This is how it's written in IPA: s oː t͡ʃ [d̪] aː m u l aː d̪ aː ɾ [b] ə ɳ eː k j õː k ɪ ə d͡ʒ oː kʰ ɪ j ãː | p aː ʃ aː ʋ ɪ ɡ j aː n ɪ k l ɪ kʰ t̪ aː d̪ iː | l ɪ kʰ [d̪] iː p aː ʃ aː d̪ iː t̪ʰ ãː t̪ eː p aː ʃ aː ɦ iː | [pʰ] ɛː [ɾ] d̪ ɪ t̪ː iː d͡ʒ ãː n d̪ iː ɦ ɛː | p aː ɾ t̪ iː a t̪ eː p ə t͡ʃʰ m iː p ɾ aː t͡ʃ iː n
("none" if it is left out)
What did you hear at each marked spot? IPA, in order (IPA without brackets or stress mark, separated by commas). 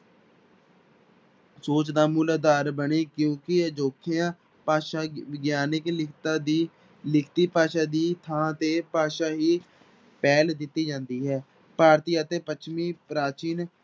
d̪, b, t̪, p, l